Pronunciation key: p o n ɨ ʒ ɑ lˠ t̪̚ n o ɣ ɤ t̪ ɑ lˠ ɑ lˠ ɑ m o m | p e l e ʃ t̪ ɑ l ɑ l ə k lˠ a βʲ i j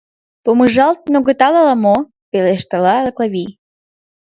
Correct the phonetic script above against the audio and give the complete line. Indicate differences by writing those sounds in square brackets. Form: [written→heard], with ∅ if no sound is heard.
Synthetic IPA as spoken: p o [n→m] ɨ ʒ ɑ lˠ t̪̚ n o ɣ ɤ t̪ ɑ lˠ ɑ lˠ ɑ m o [m→∅] | p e l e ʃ t̪ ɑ l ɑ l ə k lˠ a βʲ i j